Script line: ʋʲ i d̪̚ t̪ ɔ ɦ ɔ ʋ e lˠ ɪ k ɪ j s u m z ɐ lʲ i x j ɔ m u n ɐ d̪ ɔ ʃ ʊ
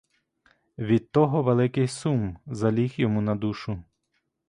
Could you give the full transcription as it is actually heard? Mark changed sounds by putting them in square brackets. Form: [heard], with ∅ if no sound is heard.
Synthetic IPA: ʋʲ i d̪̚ t̪ ɔ ɦ ɔ ʋ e lˠ ɪ k ɪ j s u m z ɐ lʲ i x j ɔ m u n ɐ d̪ [u] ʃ ʊ